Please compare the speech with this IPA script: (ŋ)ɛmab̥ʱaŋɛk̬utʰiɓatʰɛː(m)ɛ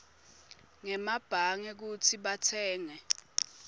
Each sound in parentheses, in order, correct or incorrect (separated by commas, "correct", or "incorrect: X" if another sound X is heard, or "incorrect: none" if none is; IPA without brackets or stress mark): correct, incorrect: ŋ